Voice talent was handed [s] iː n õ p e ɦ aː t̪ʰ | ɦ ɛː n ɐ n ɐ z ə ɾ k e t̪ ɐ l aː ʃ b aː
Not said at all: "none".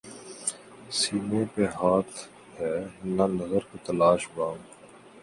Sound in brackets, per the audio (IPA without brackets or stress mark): s